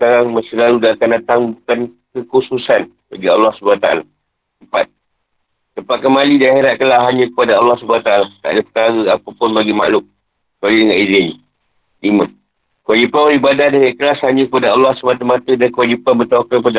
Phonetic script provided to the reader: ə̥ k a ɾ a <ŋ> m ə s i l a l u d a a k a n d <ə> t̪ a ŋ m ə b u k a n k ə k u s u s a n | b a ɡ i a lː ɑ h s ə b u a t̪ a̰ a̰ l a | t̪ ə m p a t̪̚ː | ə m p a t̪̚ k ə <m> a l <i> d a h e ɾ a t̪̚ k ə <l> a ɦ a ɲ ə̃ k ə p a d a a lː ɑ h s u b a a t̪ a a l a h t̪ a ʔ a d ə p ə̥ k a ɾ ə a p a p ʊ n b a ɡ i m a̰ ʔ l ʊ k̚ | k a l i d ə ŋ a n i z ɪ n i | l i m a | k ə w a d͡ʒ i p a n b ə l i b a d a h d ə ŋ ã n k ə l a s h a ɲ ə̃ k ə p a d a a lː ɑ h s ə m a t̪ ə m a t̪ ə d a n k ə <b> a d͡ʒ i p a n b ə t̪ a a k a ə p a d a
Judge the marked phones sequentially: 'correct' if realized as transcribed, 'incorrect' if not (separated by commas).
correct, incorrect, correct, correct, correct, incorrect